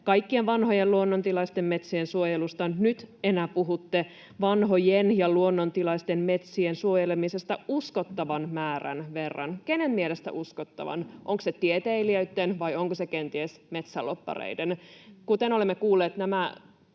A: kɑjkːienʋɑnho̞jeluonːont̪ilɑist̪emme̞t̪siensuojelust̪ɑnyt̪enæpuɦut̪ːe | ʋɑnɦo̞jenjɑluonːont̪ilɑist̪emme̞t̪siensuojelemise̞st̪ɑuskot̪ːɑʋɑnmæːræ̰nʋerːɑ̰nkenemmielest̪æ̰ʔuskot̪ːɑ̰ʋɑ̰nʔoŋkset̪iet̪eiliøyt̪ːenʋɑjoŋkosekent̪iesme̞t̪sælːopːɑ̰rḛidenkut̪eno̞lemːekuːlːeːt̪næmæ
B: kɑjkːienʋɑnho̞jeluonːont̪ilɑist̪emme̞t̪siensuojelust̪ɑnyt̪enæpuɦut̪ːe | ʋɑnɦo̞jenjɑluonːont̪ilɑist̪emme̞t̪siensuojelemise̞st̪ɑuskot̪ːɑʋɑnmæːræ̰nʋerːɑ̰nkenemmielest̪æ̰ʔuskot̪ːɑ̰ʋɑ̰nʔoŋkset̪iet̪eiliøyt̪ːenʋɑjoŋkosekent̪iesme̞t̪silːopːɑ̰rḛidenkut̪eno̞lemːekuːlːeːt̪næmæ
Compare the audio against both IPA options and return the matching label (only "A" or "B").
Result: A